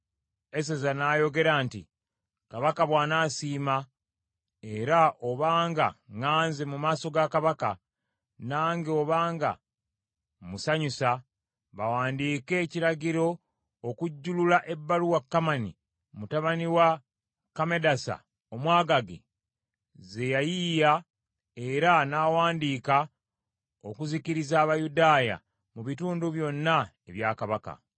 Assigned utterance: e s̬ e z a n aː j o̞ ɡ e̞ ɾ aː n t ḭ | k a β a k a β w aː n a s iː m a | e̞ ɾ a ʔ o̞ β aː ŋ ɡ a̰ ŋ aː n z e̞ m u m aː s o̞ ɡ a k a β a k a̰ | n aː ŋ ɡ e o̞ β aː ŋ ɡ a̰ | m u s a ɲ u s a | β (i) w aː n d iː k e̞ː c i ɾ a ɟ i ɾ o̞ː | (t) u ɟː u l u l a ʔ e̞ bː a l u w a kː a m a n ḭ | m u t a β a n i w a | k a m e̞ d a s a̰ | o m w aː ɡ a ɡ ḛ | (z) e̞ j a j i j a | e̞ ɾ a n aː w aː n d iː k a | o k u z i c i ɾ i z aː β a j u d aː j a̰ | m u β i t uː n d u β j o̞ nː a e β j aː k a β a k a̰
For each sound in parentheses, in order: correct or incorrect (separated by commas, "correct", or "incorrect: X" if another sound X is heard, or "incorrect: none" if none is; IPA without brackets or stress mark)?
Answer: incorrect: a, incorrect: k, correct